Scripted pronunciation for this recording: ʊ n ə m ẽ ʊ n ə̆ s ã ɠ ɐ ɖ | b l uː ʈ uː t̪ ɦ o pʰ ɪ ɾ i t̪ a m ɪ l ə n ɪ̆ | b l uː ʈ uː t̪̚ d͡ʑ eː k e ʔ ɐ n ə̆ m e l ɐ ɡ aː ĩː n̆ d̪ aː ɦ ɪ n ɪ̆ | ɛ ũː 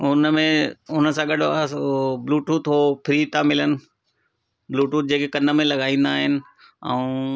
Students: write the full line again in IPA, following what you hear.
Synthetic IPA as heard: ʊ n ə m ẽ ʊ n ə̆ s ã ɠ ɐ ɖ | b l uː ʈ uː t̪ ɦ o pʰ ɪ ɾ i t̪ a m ɪ l ə n ɪ̆ | b l uː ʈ uː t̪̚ d͡ʑ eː k e k ɐ n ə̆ m ẽ l ɐ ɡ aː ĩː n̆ d̪ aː ɦ ɪ n ɪ̆ | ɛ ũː